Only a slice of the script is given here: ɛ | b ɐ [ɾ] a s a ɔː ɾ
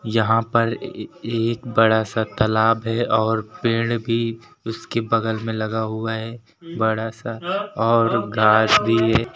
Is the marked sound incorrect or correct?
incorrect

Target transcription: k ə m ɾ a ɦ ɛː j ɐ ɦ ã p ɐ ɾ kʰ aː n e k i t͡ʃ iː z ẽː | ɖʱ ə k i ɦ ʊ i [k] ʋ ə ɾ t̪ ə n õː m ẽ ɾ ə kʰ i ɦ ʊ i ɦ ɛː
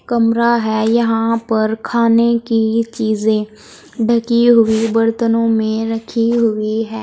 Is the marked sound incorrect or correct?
incorrect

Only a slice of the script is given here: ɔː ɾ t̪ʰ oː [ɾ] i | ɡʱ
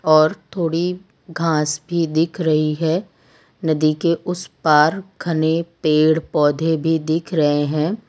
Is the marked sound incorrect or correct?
incorrect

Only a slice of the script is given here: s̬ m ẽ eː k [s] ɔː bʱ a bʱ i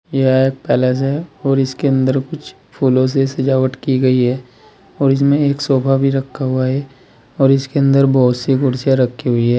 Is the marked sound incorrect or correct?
correct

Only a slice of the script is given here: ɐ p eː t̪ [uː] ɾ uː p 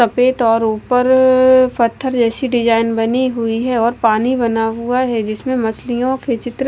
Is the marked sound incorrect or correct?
incorrect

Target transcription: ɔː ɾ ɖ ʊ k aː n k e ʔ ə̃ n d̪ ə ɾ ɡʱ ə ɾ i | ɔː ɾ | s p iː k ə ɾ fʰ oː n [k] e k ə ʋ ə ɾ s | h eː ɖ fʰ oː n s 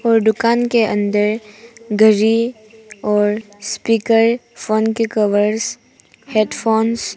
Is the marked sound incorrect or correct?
correct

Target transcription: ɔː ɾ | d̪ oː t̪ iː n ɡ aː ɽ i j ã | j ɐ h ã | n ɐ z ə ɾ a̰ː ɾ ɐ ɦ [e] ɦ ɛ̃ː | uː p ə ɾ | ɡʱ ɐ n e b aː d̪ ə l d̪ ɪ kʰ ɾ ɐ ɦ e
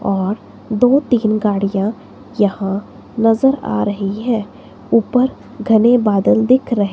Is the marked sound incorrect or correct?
incorrect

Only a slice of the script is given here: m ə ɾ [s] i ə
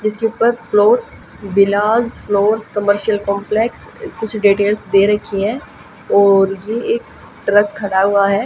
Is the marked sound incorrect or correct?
incorrect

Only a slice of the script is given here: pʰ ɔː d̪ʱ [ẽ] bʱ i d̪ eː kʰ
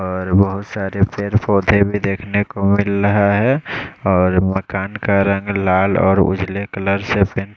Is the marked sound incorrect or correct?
incorrect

